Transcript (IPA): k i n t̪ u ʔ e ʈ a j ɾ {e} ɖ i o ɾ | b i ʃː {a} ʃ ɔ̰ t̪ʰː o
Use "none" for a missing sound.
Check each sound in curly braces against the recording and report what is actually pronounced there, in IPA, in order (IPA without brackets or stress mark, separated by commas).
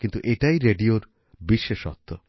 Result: e, e